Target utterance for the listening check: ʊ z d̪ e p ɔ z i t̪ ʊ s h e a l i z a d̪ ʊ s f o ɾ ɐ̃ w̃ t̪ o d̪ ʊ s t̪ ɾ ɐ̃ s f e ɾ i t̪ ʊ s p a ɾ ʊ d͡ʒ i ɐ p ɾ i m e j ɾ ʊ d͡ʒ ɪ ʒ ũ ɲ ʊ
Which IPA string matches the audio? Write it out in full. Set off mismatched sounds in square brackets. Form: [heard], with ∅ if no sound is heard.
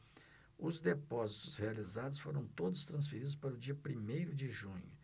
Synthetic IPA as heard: ʊ z d̪ e p ɔ z i t̪ ʊ s h e a l i z a d̪ ʊ s f o ɾ ɐ̃ w̃ t̪ o d̪ ʊ s t̪ ɾ ɐ̃ s f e ɾ i [d̪] ʊ s p a ɾ ʊ d͡ʒ i ɐ p ɾ i m e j ɾ ʊ d͡ʒ ɪ ʒ ũ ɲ ʊ